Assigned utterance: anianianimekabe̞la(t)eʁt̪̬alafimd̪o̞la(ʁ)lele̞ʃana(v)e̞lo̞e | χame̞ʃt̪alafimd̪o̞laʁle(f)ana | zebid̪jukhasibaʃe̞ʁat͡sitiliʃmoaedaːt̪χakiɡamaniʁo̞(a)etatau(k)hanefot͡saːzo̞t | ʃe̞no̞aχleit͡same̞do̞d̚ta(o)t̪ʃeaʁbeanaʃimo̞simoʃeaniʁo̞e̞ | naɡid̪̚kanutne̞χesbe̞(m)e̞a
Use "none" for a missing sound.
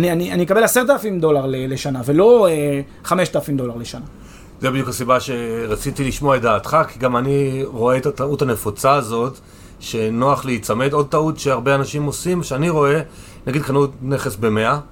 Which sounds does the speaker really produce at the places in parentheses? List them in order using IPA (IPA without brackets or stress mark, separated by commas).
s, ʁ, v, ʃ, e, t, u, m